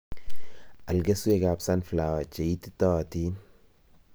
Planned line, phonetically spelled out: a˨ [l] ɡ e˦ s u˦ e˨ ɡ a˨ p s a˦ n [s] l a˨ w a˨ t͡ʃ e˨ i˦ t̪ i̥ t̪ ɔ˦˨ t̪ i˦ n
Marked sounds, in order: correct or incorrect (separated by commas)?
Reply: correct, incorrect